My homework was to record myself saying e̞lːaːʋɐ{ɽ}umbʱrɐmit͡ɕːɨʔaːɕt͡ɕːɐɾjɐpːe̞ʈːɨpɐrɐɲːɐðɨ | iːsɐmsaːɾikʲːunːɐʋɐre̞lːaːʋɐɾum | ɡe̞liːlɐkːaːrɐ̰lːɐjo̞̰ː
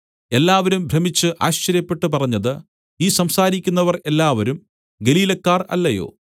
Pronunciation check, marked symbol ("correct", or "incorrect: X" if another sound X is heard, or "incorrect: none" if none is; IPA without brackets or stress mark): incorrect: ɾ